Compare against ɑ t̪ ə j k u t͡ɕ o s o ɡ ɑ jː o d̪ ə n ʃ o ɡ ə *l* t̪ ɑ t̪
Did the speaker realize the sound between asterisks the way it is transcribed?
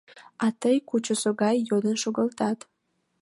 yes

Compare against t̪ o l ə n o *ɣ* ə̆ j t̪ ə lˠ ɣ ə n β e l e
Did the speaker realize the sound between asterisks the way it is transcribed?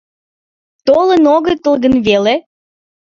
yes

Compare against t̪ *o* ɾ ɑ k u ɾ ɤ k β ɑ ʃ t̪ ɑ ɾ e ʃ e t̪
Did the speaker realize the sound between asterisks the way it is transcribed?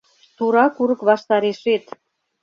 no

